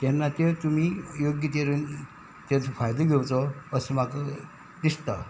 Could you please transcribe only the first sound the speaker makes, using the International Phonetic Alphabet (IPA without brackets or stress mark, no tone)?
t̪